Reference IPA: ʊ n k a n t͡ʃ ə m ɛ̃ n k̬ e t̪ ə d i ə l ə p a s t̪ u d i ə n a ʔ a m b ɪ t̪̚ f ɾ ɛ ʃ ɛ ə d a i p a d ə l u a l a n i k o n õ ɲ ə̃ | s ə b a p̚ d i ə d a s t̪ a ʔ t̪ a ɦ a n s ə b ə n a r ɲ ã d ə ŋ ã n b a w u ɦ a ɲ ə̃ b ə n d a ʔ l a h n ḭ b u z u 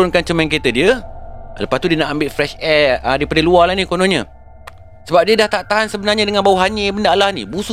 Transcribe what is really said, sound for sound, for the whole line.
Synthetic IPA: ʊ n k a n t͡ʃ ə m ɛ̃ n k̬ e t̪ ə d i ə l ə p a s t̪ u d i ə n a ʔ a m b ɪ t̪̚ f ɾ ɛ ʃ ɛ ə d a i p a d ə l u a l a n i k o n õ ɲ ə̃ | s ə b a p̚ d i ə d a h t̪ a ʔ t̪ a ɦ a n s ə b ə n a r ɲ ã d ə ŋ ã n b a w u ɦ a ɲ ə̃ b ə n d a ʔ l a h n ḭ b u s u